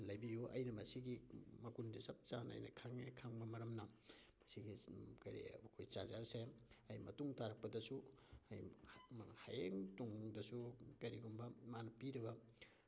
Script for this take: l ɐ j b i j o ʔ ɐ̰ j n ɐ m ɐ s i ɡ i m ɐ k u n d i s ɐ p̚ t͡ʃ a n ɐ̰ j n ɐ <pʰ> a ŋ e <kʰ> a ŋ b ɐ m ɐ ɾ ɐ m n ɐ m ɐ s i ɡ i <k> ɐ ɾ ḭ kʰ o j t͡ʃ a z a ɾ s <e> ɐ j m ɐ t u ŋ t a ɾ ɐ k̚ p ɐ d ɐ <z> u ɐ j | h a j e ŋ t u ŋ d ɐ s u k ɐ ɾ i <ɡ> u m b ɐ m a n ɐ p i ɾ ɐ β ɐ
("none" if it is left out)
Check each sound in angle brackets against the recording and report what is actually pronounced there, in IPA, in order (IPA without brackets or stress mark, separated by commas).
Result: kʰ, kʰ, k, e, s, ɡ